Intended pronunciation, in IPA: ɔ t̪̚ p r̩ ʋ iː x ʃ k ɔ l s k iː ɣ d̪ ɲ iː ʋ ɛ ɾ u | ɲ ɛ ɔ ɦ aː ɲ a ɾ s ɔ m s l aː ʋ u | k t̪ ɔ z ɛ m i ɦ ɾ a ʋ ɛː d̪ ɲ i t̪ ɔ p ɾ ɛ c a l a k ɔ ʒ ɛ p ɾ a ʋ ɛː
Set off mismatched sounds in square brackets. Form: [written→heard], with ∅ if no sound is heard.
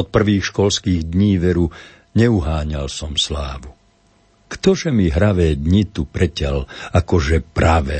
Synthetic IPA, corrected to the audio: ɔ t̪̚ p r̩ ʋ iː x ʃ k ɔ l s k iː ɣ d̪ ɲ iː ʋ ɛ ɾ u | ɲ ɛ [ɔ→u] ɦ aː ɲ a [ɾ→l] s ɔ m s l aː ʋ u | k t̪ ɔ [z→ʒ] ɛ m i ɦ ɾ a ʋ ɛː d̪ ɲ i t̪ [ɔ→u] p ɾ ɛ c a l a k ɔ ʒ ɛ p ɾ a ʋ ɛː